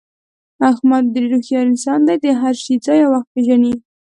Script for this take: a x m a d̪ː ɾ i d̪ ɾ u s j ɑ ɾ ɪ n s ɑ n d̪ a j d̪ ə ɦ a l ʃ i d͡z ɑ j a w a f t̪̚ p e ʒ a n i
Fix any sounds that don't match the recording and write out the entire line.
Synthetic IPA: a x m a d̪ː ɾ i ɾ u x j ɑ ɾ ɪ n s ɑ n d̪ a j d̪ ə ɦ a ɾ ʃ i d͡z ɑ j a w a x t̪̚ p e ʒ a n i